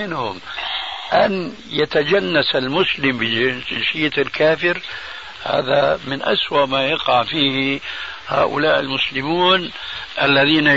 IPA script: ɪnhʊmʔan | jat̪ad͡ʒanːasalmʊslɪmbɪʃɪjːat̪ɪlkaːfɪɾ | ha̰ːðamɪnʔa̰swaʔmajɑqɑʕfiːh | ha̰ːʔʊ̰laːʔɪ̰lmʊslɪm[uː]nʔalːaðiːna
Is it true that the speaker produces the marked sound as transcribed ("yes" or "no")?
yes